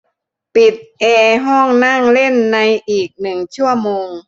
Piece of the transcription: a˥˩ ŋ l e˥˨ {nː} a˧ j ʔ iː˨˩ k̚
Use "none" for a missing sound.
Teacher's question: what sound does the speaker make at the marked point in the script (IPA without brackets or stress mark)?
nː